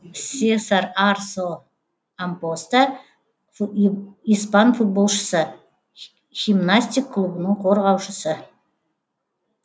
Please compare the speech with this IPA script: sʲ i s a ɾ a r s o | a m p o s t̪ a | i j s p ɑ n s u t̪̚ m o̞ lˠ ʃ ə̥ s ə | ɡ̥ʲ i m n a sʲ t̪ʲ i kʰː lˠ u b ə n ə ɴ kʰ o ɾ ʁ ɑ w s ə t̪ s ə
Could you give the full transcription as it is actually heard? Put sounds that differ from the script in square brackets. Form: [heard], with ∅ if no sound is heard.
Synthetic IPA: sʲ [e] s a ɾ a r s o | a m p o s t̪ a | i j s p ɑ n [f] u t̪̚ [b] o̞ lˠ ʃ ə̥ s ə | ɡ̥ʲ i m n a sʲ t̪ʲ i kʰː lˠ u b ə n ə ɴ [qʰ] o ɾ ʁ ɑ w [ʃ] ə [∅] s ə